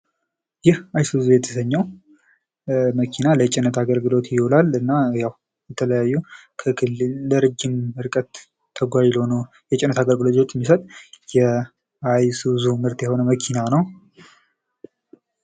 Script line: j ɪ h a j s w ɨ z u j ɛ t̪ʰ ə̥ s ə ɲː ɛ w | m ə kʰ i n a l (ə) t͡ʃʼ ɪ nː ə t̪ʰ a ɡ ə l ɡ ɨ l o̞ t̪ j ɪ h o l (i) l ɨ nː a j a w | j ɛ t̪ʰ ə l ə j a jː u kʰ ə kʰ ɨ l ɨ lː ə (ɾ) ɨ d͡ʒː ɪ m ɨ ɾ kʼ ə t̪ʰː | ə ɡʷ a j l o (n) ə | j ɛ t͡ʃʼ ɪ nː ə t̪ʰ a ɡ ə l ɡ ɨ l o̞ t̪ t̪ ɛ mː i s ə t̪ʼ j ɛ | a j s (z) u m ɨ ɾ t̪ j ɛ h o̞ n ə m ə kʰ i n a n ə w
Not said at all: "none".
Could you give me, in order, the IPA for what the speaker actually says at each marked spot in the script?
ə, a, ɾ, n, z

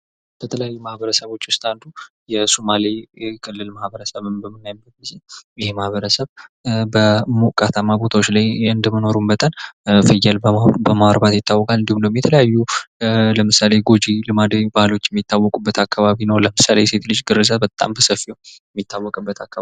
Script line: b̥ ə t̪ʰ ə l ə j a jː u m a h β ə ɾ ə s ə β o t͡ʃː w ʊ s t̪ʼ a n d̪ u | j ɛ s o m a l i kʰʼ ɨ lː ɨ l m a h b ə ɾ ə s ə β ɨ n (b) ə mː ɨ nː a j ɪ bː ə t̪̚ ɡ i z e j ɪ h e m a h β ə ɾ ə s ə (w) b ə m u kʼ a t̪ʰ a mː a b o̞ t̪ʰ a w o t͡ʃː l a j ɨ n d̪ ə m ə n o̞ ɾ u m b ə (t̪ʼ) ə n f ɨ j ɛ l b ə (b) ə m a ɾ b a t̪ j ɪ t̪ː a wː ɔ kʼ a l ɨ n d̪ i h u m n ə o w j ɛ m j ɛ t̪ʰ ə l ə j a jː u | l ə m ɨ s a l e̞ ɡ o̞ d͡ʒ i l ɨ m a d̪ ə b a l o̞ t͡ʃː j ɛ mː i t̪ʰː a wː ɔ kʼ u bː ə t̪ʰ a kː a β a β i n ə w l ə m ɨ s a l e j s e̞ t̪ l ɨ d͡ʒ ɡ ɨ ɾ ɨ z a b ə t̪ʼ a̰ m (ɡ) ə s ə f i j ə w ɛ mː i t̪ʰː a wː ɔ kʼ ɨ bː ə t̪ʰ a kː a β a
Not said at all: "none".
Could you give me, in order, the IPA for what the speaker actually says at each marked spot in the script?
b, β, t̪ʼ, b, b

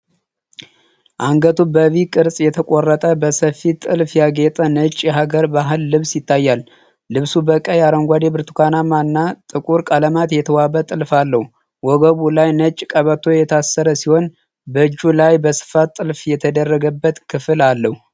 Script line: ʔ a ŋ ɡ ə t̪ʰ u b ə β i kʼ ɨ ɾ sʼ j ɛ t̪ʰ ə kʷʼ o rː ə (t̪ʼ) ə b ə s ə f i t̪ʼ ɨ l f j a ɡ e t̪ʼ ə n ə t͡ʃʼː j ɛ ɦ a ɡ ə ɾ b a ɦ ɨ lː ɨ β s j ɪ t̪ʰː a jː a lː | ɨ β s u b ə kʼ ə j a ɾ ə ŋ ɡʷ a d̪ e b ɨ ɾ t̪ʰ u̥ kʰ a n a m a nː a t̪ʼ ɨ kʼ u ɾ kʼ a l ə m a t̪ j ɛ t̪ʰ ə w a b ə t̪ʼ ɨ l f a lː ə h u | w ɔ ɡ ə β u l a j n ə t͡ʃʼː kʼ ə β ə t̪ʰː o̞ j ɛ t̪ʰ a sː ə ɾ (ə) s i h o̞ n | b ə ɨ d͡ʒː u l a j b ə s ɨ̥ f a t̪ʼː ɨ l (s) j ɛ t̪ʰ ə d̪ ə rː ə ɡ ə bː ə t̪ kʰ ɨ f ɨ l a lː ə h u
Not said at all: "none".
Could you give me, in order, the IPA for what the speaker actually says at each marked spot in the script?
t̪ʼ, ə, f

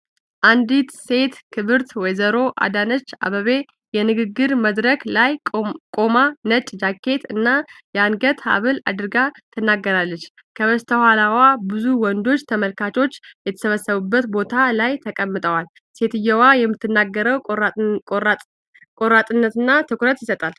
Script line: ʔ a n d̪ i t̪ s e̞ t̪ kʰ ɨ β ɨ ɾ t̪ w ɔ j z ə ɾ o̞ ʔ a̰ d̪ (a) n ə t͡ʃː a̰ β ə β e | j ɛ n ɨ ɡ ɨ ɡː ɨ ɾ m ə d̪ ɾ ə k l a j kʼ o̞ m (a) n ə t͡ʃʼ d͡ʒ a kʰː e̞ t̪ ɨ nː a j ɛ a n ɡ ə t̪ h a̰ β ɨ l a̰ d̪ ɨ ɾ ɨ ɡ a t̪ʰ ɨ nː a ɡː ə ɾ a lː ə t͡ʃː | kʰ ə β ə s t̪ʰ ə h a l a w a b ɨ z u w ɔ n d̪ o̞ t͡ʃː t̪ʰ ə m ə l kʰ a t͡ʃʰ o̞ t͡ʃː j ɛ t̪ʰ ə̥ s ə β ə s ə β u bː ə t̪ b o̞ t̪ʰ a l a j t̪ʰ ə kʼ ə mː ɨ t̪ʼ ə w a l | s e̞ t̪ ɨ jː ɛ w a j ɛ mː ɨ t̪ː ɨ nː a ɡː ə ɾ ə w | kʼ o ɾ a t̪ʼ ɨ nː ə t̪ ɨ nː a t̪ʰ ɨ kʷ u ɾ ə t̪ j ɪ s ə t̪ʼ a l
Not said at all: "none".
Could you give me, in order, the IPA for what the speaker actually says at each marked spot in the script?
a, a

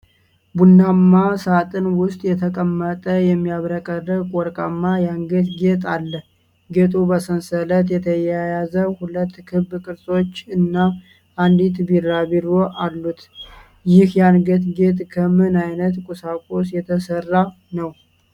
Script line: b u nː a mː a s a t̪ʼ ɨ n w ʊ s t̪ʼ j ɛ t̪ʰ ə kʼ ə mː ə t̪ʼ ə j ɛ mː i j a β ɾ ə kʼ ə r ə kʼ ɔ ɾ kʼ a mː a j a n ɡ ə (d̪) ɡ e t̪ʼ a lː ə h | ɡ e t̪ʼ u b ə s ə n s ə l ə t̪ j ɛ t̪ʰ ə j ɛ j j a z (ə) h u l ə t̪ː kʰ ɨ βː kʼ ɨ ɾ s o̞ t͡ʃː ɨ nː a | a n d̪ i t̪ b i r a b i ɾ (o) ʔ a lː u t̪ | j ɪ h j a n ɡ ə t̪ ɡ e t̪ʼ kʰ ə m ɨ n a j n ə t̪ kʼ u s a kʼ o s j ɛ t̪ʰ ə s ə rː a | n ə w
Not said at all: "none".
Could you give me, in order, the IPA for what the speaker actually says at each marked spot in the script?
t̪, ə, o

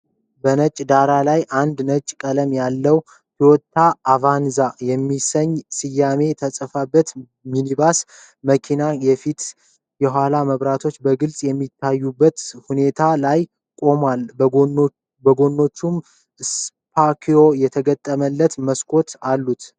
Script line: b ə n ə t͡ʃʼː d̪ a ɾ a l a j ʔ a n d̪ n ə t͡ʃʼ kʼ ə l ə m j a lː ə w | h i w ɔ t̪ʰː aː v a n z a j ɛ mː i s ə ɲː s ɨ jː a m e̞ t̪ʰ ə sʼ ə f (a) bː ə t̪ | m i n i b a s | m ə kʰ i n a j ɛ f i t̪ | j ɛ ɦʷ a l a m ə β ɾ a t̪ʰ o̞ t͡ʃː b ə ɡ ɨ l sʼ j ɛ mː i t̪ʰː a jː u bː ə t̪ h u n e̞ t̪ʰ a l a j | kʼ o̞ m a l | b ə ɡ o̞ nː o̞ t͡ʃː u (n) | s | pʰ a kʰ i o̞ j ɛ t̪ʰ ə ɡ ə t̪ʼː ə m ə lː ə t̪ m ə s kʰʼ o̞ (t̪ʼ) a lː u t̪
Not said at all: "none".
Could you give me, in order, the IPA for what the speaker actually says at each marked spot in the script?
a, m, t̪

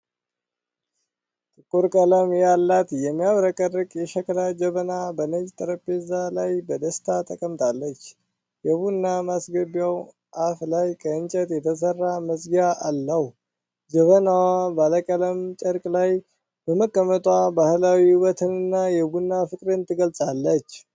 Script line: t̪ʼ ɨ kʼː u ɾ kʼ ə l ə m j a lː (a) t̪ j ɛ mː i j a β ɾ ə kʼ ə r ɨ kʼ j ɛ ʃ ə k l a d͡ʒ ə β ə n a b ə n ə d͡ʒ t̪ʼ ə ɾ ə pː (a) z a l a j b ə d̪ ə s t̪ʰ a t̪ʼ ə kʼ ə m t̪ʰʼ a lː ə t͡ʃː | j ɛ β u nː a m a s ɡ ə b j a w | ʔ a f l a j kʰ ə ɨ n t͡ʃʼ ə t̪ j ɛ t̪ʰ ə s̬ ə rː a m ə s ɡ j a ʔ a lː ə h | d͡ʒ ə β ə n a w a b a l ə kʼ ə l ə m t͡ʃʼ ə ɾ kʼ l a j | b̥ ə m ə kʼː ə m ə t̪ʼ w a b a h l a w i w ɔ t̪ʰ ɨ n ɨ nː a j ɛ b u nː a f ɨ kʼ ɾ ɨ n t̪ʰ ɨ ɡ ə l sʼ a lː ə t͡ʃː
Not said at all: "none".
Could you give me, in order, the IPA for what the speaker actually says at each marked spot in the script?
a, e

